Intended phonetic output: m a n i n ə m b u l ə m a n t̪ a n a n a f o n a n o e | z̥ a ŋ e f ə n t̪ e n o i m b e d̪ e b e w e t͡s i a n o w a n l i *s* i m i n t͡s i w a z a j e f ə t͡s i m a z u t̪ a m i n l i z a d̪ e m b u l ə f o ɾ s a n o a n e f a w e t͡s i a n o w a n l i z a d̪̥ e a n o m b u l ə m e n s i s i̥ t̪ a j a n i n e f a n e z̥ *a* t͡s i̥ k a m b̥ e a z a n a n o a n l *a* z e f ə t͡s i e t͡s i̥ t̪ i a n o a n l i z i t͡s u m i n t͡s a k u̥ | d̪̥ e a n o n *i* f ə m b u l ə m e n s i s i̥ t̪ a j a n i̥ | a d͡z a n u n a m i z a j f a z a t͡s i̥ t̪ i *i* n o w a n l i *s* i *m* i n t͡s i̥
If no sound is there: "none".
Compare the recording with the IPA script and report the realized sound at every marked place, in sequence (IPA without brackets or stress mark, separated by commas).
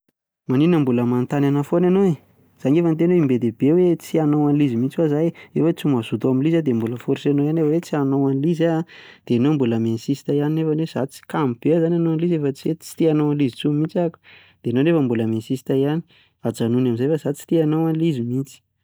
z, a, i, e, a, z, m